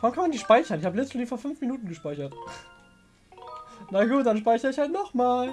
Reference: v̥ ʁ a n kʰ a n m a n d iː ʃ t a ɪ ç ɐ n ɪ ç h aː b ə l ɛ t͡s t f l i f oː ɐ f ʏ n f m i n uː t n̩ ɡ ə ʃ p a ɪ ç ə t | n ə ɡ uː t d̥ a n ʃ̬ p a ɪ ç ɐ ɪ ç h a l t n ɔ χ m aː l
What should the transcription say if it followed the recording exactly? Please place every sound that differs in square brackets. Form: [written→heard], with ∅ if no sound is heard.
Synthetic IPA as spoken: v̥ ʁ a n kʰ a n m a n d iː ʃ [t→p] a ɪ ç ɐ n ɪ ç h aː b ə l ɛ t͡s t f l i f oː ɐ f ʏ n f m i n uː t n̩ ɡ ə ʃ p a ɪ ç [ə→ɐ] t | n [ə→a] ɡ uː t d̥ a n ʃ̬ p a ɪ ç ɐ ɪ ç h a l t n ɔ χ m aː l

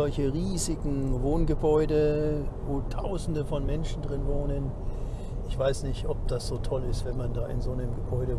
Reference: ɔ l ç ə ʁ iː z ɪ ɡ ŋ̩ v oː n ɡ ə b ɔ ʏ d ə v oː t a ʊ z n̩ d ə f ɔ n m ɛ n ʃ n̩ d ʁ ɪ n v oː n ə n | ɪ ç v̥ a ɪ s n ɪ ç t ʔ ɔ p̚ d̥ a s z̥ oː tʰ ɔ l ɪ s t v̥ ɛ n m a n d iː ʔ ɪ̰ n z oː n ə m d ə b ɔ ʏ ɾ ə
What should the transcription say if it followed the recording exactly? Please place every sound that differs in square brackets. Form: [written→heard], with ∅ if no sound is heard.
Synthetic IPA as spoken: ɔ l ç ə ʁ iː z ɪ ɡ ŋ̩ v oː n ɡ ə b ɔ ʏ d ə v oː [t→tʰ] a ʊ z n̩ d ə f ɔ n m ɛ n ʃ n̩ d ʁ ɪ n v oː n ə n | ɪ ç v̥ a ɪ s n ɪ ç t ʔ ɔ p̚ d̥ a s z̥ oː tʰ ɔ l ɪ s t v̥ ɛ n m a n d [iː→aː] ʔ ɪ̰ n z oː n ə m [d→ɡ] ə b ɔ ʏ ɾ ə

